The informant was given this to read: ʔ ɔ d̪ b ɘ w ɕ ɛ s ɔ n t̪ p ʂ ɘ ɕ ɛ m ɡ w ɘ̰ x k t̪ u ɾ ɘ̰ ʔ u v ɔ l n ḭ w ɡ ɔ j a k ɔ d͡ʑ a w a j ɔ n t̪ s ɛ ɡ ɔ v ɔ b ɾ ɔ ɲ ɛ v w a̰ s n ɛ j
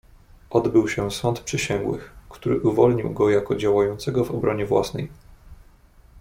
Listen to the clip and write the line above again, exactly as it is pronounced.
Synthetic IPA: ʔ ɔ d̪ b ɘ w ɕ ɛ s ɔ n t̪ p ʂ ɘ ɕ ɛ ŋ ɡ w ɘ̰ x k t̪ u ɾ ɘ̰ ʔ u v ɔ l ɲ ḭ w ɡ ɔ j a k ɔ d͡ʑ a w a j ɔ n t̪ s ɛ ɡ ɔ v ɔ b ɾ ɔ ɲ ɛ v w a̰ s n ɛ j